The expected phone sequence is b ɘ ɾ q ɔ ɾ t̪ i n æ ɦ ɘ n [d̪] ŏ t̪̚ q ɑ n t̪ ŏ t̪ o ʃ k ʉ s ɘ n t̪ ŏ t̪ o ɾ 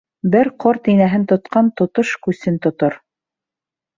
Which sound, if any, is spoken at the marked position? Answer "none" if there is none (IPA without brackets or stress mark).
t̪